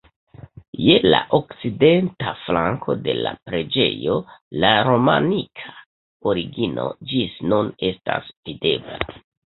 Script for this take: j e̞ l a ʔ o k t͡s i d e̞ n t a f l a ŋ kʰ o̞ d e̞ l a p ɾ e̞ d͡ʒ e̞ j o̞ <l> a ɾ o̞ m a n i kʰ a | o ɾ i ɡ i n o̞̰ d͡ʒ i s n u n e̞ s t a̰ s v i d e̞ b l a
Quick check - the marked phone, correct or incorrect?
correct